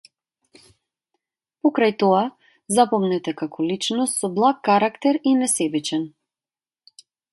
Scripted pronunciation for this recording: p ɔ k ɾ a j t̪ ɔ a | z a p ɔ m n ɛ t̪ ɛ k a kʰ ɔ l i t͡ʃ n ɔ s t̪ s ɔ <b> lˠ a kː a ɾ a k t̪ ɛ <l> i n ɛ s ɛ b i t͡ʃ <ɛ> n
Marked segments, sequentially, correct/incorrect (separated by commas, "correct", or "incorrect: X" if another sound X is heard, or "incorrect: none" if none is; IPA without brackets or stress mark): correct, incorrect: ɾ, correct